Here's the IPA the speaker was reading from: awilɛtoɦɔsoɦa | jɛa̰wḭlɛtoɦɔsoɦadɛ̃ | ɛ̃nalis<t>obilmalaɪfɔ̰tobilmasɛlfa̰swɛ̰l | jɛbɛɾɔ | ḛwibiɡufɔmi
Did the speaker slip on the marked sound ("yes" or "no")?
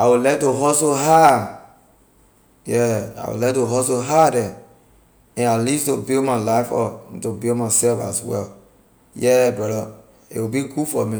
no